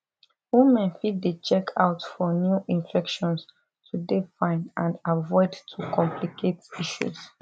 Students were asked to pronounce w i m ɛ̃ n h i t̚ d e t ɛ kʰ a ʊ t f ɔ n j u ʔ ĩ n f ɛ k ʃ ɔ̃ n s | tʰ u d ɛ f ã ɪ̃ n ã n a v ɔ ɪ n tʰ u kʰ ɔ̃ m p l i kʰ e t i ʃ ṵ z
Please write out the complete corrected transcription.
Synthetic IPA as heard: w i m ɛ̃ n f i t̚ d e t͡ʃ ɛ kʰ a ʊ t f ɔ n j u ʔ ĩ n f ɛ k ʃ ɔ̃ n s | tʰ u d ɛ f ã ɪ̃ n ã n a v ɔ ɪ d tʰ u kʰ ɔ̃ m p l i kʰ e t i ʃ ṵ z